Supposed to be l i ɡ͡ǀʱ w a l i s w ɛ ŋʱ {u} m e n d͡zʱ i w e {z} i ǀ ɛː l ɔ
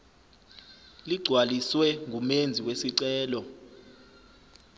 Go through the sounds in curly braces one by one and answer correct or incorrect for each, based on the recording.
correct, incorrect: s

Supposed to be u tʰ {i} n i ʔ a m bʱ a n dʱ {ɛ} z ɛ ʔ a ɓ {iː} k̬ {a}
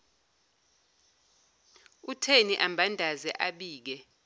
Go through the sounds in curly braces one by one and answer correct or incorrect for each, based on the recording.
incorrect: e, incorrect: a, correct, incorrect: ɛ

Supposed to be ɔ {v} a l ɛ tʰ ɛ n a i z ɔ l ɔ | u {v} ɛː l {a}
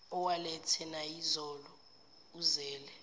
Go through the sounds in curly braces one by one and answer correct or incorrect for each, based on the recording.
incorrect: w, incorrect: z, incorrect: ɛ

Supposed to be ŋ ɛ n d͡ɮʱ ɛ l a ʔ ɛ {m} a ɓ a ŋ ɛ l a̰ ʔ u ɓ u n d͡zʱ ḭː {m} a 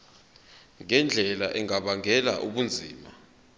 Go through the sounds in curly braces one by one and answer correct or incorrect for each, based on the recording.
incorrect: ŋ, correct

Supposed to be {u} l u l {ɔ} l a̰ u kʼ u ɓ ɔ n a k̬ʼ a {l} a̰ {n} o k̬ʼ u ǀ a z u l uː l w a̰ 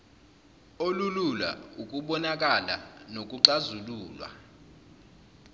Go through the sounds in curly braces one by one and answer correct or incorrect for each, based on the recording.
incorrect: o, incorrect: u, correct, correct

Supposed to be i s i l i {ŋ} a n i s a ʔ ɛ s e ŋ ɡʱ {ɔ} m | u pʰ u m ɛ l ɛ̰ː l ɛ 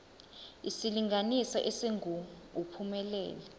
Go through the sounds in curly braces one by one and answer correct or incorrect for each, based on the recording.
correct, incorrect: u

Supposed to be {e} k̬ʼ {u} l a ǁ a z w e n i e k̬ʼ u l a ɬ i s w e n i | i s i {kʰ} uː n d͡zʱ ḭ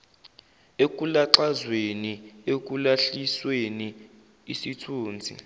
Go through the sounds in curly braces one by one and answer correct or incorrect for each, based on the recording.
correct, correct, incorrect: tʰ

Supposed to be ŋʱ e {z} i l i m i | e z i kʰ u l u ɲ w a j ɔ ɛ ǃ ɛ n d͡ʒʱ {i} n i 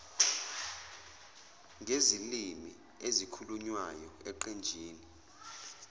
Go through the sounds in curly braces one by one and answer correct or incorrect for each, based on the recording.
correct, incorrect: iː

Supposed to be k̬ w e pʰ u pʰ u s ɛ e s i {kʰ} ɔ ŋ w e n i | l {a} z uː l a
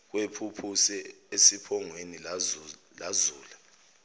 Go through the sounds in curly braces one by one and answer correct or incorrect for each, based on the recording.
incorrect: pʰ, correct

